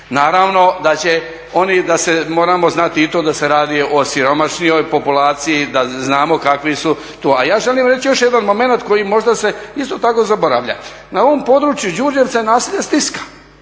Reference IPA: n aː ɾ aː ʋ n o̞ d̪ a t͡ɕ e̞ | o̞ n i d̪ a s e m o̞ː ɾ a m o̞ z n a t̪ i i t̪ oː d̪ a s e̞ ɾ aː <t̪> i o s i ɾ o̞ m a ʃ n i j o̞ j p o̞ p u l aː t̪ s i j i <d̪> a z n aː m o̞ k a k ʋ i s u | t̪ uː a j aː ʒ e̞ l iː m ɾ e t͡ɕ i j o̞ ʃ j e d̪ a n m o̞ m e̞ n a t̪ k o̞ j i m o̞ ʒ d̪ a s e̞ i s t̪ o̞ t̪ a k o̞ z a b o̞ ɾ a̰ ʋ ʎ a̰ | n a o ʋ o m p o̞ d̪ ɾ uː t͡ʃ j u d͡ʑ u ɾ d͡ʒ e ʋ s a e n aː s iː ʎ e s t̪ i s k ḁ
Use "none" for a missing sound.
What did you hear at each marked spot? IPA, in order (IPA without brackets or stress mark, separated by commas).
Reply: d̪, d̪